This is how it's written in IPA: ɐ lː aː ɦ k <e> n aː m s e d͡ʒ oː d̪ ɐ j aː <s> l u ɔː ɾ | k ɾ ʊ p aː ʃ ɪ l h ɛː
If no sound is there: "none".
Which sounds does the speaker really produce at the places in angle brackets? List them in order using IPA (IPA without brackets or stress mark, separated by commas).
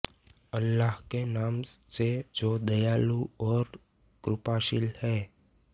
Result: e, none